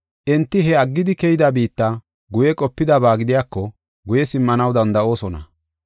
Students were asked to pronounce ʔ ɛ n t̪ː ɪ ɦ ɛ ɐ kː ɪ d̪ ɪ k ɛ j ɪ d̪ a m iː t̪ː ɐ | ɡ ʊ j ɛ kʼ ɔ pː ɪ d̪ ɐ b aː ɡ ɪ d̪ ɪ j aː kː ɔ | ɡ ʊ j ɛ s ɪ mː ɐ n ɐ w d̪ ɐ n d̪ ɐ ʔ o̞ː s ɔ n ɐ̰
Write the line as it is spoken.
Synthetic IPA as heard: ʔ ɛ n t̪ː ɪ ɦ ɛ ɐ ɡː ɪ d̪ ɪ k ɛ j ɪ d̪ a b iː t̪ː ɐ | ɡ ʊ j ɛ kʼ ɔ pː ɪ d̪ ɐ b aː ɡ ɪ d̪ ɪ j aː kː ɔ | ɡ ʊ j ɛ s ɪ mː ɐ n ɐ w d̪ ɐ n d̪ ɐ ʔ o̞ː s ɔ n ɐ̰